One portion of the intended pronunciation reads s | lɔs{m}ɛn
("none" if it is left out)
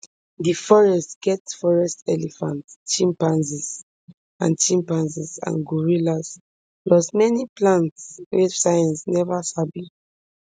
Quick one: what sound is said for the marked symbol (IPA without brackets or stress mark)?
m